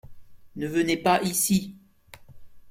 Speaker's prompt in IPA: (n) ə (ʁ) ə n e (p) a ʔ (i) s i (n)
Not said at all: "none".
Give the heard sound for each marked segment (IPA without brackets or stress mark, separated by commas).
n, v, p, i, none